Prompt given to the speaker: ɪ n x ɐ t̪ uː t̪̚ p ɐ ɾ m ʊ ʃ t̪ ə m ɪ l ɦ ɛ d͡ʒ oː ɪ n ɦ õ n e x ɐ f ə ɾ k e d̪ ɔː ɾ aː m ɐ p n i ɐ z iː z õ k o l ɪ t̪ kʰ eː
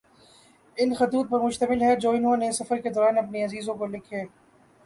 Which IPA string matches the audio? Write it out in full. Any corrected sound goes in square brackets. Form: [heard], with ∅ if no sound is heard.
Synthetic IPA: ɪ n x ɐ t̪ uː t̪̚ p ɐ ɾ m ʊ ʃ t̪ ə m ɪ l ɦ ɛ d͡ʒ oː ɪ n ɦ õ n e [s] ɐ f ə ɾ k e d̪ ɔː ɾ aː [n] ɐ p n i ɐ z iː z õ k o l ɪ [∅] kʰ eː